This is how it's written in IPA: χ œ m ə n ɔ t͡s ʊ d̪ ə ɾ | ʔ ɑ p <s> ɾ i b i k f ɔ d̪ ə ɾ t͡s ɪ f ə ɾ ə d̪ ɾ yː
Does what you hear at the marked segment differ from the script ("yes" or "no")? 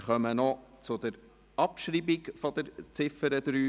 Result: yes